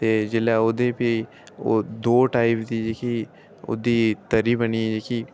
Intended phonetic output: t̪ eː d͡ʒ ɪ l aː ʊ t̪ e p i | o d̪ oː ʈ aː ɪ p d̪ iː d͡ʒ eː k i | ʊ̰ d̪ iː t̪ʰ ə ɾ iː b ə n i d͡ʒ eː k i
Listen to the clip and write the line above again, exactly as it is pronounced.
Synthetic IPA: t̪ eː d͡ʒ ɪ l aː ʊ d̪ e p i | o d̪ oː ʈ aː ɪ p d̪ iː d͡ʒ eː k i | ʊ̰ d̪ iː t̪ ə ɾ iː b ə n i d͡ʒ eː k i